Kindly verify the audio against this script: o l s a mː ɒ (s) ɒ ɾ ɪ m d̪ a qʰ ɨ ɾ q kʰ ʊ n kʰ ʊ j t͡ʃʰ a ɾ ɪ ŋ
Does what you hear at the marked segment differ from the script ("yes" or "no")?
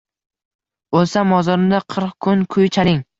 yes